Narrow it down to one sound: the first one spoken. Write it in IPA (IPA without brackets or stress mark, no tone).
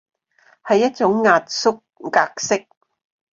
h